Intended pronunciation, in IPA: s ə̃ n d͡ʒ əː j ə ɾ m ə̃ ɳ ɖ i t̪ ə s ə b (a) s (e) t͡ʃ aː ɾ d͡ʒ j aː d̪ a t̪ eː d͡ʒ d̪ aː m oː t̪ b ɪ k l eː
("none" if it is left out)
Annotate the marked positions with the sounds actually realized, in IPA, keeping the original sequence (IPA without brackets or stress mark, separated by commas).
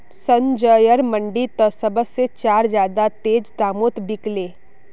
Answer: ə, e